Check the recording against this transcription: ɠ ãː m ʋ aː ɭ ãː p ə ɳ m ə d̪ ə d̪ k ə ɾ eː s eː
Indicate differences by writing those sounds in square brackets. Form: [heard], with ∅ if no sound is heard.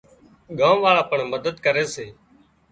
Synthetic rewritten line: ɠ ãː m ʋ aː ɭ [aː] p ə ɳ m ə d̪ ə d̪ k ə ɾ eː s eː